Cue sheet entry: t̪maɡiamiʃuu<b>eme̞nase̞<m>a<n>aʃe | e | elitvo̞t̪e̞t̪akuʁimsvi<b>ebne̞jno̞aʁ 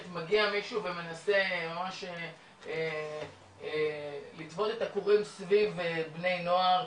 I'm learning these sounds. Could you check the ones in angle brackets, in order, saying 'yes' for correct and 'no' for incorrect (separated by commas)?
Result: no, yes, no, no